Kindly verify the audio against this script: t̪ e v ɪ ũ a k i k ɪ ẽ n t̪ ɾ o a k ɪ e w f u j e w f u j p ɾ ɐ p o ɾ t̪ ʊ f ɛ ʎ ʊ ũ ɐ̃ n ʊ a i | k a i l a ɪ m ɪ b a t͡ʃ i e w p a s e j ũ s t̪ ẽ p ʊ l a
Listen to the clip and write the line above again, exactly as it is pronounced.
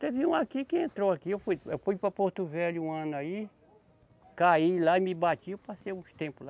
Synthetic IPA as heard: t̪ e v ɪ ũ a k i k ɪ ẽ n t̪ ɾ o a k i e w f u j e w f u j p ɾ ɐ p o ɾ t̪ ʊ v ɛ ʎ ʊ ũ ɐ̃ n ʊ a i | k a i l a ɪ m ɪ b a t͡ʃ i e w p a s e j ũ s t̪ ẽ p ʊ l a